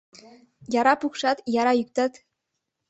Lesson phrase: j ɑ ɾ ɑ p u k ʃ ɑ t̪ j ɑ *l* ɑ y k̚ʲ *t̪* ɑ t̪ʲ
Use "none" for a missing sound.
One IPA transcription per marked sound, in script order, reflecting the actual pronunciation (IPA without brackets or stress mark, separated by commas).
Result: ɾ, t̪